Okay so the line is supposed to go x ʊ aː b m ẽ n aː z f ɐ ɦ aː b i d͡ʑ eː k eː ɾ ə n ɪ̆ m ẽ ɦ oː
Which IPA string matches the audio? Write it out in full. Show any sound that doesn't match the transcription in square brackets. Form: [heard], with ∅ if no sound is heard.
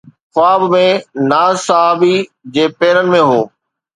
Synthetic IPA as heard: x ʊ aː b m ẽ n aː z [s] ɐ ɦ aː b i d͡ʑ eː [p] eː ɾ ə n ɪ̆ m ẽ ɦ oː